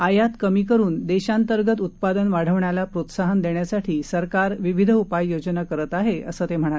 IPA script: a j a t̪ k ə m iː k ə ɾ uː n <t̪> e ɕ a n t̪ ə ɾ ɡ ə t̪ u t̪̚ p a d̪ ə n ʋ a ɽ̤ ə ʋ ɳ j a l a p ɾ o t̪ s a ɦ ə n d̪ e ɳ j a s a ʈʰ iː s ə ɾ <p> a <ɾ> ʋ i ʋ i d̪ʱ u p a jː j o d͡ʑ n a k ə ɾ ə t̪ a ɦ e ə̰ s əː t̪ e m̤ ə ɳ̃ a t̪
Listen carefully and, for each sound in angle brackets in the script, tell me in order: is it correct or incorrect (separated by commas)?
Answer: incorrect, incorrect, correct